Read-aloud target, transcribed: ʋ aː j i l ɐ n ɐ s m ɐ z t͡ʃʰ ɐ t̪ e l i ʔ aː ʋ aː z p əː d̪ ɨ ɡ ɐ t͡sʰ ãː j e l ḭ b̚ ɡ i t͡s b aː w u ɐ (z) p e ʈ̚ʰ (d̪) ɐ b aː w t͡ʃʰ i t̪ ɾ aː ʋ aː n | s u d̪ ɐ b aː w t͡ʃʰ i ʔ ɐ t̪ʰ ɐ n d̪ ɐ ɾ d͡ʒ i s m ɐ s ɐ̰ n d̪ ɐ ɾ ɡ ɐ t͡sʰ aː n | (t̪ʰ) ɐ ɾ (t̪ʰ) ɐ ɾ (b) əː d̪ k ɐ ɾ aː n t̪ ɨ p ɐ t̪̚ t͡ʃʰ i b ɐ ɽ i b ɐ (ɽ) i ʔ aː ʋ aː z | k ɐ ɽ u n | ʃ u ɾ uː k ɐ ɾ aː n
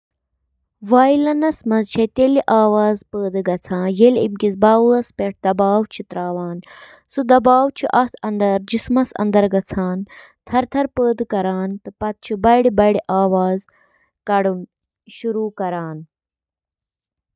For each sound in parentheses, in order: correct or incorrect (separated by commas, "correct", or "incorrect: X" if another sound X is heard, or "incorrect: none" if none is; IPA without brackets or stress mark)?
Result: incorrect: s, correct, correct, correct, incorrect: p, correct